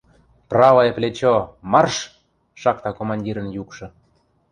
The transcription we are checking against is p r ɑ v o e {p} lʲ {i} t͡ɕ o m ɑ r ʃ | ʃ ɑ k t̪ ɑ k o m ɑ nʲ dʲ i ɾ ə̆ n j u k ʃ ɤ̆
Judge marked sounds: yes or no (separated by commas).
yes, no